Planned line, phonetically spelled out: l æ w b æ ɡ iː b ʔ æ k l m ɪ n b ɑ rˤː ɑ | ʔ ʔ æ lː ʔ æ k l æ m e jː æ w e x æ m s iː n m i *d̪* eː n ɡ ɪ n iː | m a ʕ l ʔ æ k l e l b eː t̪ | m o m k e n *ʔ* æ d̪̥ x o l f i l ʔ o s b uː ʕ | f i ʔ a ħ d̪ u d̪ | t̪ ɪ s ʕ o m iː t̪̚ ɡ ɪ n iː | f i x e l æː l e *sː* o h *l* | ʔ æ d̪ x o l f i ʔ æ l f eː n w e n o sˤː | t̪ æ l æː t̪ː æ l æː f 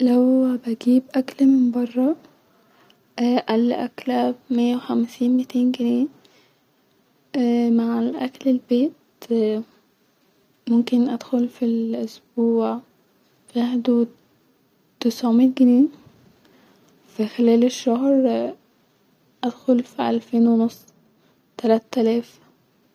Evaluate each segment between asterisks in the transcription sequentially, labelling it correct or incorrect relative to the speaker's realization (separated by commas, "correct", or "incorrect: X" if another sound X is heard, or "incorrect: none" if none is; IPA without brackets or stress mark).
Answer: incorrect: t̪, correct, incorrect: ʃː, incorrect: ɾ